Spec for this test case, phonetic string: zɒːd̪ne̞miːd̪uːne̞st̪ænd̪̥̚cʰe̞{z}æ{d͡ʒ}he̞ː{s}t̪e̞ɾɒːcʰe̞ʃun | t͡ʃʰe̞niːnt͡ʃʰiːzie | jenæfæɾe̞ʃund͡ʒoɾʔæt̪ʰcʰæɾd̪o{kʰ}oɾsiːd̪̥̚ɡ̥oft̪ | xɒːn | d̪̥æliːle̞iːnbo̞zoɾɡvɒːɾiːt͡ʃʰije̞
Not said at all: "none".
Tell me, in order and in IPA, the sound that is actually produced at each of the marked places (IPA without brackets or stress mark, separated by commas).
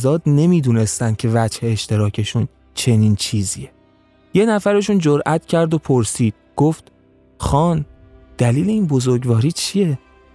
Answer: v, d͡ʒ, ʃ, pʰ